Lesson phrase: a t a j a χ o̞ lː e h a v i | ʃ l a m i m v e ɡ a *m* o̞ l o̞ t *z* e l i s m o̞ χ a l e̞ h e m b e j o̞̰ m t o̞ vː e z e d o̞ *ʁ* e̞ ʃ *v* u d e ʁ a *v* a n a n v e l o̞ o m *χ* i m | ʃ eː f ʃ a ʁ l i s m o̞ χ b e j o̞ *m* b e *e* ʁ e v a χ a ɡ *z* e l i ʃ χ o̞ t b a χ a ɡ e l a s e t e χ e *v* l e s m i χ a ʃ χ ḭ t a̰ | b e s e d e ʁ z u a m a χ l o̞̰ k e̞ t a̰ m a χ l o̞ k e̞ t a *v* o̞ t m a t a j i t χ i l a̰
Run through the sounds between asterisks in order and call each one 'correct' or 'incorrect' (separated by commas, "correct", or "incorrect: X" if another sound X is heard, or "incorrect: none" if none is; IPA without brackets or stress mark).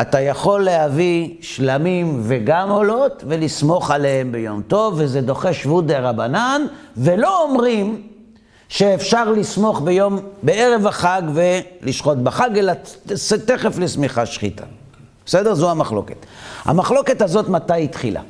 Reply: correct, incorrect: v, incorrect: χ, correct, incorrect: b, incorrect: ʁ, correct, correct, incorrect: v, incorrect: f, incorrect: z